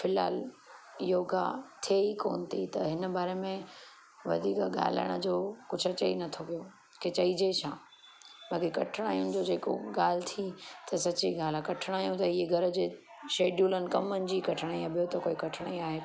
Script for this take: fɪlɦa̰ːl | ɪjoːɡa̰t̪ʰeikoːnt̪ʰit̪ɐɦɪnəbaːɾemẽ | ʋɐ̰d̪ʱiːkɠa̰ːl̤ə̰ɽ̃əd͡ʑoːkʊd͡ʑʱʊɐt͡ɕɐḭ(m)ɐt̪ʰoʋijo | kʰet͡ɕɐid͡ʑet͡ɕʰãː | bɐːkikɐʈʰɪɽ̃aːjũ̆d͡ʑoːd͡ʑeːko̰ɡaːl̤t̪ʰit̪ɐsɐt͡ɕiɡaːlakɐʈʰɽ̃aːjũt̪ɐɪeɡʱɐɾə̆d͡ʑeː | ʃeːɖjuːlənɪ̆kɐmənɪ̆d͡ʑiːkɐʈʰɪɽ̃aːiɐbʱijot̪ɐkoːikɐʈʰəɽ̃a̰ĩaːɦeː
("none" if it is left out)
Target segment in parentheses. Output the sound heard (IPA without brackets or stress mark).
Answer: n